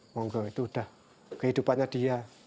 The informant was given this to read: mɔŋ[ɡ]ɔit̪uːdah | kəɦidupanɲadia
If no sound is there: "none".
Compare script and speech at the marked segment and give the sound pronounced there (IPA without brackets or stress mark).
ɡ